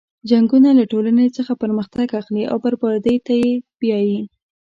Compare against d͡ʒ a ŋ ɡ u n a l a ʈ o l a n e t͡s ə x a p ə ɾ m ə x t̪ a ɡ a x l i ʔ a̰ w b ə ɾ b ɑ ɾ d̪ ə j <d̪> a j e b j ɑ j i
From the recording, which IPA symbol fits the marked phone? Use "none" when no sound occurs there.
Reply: t̪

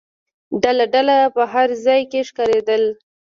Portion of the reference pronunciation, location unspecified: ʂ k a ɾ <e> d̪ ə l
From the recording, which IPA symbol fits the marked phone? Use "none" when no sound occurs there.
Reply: e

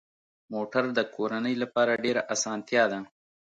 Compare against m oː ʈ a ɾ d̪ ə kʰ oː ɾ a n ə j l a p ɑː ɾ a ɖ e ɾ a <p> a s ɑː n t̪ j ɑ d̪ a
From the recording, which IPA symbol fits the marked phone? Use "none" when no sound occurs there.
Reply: ʔ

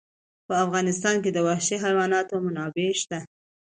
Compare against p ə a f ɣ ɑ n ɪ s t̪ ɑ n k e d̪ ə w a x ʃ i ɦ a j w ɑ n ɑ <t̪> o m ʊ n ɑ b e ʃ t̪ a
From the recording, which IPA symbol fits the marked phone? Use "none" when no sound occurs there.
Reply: t̪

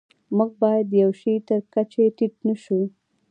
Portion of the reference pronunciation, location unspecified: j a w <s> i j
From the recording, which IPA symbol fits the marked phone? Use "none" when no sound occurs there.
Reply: ʃ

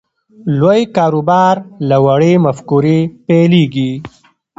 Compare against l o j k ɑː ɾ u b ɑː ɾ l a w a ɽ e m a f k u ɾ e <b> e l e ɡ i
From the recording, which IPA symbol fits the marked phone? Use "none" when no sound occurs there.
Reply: p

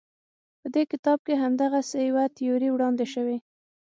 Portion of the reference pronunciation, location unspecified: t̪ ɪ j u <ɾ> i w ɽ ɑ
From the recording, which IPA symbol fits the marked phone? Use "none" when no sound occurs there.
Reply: ɾ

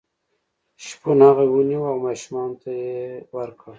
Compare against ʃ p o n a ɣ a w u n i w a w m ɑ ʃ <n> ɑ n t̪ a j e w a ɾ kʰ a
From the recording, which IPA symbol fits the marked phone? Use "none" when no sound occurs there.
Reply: m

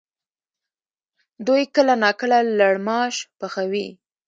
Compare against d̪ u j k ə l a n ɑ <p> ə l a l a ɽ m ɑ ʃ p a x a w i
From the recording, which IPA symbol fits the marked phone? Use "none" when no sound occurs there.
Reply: k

